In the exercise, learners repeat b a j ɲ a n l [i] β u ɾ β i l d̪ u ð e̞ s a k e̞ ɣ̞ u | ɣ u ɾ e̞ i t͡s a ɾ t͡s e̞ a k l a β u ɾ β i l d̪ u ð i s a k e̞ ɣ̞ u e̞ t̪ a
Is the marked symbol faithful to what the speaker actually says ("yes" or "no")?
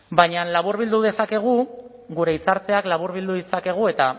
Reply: no